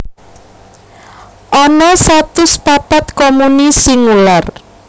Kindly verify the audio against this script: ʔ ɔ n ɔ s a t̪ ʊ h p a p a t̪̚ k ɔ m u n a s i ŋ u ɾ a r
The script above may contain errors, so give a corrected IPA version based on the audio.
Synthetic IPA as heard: ʔ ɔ n ɔ s a t̪ ʊ s p a p a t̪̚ k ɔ m u n i s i ŋ u l a r